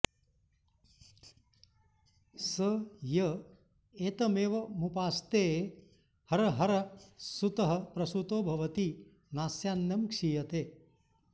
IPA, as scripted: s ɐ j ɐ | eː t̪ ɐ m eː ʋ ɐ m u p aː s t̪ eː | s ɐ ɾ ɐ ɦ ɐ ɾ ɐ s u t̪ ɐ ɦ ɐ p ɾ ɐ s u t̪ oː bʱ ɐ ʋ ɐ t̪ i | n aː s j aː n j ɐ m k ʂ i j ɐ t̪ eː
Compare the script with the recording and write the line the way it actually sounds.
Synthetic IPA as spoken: s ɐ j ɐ | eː t̪ ɐ m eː ʋ ɐ m u p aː s t̪ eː | h ɐ ɾ ɐ ɦ ɐ ɾ ɐ s u t̪ ɐ ɦ ɐ p ɾ ɐ s u t̪ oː bʱ ɐ ʋ ɐ t̪ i | n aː s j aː n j ɐ m k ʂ i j ɐ t̪ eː

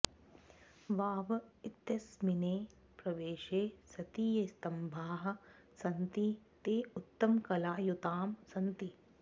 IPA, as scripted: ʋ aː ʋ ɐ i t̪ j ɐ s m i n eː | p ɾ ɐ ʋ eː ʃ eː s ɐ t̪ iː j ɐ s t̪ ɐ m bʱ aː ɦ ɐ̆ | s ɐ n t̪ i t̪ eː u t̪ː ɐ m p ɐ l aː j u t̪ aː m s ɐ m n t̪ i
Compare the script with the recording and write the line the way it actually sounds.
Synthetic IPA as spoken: ʋ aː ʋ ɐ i t̪ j ɐ s m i n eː | p ɾ ɐ ʋ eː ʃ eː s ɐ t̪ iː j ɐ s t̪ ɐ m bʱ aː ɦ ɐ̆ | s ɐ n t̪ i t̪ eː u t̪ː ɐ m k ɐ l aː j u t̪ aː m s ɐ n t̪ i

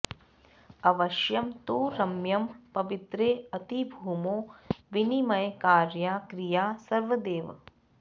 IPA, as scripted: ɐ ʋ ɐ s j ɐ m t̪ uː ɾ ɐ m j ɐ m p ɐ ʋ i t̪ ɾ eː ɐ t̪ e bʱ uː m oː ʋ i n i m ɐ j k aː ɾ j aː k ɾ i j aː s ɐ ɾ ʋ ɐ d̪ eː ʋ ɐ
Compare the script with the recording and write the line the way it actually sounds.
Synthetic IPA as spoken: ɐ ʋ ɐ ʃ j ɐ m t̪ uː ɾ ɐ m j ɐ m p ɐ ʋ i t̪ ɾ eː ɐ t̪ i bʱ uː m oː ʋ i n i m ɐ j k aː ɾ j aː k ɾ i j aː s ɐ ɾ ʋ ɐ d̪ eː ʋ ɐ

